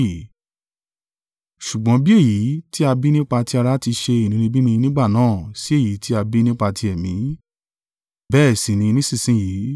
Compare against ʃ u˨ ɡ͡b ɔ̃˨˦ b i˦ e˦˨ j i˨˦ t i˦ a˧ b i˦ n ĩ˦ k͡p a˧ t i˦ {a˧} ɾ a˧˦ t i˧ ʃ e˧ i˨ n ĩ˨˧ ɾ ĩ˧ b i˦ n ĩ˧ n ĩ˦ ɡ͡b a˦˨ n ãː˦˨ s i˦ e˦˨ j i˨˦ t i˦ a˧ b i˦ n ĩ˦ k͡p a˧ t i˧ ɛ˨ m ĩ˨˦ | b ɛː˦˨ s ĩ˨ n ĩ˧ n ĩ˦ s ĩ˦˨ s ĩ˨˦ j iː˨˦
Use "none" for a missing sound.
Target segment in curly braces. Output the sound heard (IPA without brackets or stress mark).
a˧